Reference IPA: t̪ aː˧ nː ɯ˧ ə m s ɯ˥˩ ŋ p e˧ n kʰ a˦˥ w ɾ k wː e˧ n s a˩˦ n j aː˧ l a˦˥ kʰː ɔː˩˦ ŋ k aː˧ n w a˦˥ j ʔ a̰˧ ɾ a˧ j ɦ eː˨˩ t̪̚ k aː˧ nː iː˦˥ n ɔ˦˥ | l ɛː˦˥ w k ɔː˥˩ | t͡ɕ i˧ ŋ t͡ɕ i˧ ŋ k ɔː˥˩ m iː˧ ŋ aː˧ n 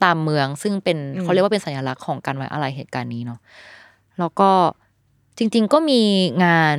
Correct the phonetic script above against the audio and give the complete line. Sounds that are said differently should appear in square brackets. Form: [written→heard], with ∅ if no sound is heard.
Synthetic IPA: t̪ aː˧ [nː→mː] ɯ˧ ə [m→ŋ] s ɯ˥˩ ŋ p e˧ n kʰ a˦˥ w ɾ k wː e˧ n s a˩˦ n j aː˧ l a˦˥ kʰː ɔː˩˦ ŋ k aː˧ n w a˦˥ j ʔ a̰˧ ɾ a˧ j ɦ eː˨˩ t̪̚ k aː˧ nː iː˦˥ n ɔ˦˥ | l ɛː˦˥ w k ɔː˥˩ | t͡ɕ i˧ ŋ t͡ɕ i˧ ŋ k ɔː˥˩ m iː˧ ŋ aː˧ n